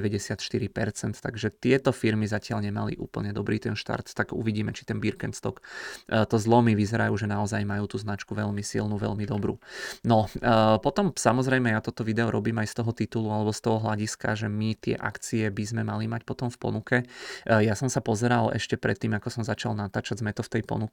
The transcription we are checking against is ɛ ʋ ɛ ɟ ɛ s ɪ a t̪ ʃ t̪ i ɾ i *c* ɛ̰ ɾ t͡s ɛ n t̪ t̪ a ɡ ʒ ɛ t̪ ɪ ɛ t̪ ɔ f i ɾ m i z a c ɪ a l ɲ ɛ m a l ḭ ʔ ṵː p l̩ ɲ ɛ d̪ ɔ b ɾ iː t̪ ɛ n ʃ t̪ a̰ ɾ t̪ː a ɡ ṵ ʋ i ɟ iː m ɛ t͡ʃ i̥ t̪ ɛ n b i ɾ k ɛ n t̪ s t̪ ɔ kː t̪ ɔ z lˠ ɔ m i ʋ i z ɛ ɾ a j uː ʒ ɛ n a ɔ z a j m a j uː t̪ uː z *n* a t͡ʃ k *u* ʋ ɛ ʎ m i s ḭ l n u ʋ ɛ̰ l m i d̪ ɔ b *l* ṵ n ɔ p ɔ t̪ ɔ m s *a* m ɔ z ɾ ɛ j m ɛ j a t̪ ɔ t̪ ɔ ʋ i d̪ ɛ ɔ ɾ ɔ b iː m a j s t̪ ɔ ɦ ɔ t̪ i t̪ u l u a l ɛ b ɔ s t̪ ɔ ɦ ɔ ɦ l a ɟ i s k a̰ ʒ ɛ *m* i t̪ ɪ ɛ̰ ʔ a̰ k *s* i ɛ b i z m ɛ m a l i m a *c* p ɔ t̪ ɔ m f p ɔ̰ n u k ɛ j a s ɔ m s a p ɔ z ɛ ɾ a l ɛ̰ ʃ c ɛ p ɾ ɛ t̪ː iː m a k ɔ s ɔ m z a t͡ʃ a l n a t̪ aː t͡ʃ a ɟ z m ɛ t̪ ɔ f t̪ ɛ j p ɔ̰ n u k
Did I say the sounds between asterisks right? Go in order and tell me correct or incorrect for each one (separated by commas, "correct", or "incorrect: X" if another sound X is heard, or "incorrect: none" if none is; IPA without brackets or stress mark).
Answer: incorrect: p, correct, correct, incorrect: ɾ, correct, correct, incorrect: t͡s, correct